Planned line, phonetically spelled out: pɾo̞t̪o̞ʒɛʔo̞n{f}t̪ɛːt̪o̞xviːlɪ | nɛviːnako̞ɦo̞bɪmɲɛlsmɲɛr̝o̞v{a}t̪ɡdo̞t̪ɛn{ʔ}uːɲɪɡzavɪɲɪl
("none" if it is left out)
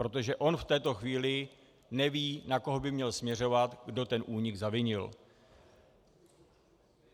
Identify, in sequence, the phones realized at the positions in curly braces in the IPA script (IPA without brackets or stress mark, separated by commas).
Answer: f, a, ʔ